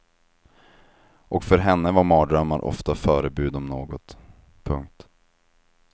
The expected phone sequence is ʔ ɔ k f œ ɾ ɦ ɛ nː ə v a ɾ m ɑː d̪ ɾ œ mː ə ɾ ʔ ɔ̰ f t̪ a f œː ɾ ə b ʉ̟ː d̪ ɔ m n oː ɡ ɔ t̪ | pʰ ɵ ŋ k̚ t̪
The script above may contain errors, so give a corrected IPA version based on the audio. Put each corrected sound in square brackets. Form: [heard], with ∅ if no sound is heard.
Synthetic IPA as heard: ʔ ɔ k f œ ɾ ɦ ɛ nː ə v a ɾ m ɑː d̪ ɾ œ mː [a] ɾ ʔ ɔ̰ f t̪ a f œː ɾ ə b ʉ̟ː d̪ ɔ m n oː ɡ ɔ t̪ | pʰ ɵ ŋ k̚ t̪